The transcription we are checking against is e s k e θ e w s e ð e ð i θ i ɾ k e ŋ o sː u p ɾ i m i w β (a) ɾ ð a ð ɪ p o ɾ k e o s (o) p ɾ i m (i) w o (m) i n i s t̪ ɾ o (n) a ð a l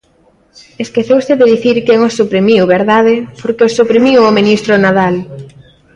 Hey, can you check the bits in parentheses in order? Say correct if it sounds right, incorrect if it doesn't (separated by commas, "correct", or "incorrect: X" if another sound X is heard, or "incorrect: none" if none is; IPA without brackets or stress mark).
incorrect: e, incorrect: u, correct, correct, correct